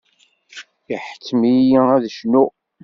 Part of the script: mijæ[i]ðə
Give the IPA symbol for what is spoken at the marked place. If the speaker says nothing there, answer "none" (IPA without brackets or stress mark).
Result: æ